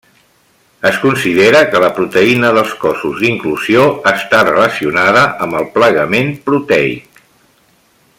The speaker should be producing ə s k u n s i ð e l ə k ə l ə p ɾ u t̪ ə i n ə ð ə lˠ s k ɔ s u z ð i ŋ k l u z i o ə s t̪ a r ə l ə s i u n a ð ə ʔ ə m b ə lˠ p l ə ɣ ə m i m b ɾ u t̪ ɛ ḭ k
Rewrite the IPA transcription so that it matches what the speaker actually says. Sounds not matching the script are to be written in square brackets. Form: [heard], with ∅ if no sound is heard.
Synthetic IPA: ə s k u n s i ð e [ɾ] ə k ə l ə p ɾ u t̪ ə i n ə ð ə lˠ s k ɔ s u z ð i ŋ k l u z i o ə s t̪ a r ə l ə s i u n a ð ə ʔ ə m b ə lˠ p l ə ɣ ə m [e] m [p] ɾ u t̪ ɛ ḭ k